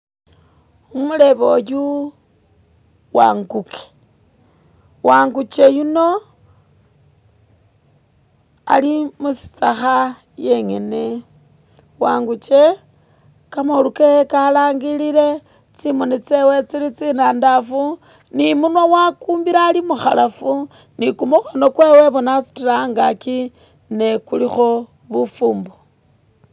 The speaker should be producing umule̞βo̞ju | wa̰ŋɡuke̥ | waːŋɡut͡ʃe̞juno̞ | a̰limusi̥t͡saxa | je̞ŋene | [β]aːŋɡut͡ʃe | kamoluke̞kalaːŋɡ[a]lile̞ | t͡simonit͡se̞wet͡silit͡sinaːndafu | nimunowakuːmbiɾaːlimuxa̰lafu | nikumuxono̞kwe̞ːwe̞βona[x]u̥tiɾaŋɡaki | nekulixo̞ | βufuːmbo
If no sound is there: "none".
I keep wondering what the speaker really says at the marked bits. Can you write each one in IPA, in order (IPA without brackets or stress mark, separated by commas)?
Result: w, i, s